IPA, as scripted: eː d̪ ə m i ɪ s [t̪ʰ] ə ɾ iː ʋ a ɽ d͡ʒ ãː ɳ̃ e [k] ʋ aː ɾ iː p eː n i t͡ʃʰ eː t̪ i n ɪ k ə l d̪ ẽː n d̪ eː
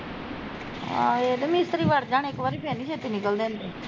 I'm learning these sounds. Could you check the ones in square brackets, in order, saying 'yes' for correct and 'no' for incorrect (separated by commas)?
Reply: no, yes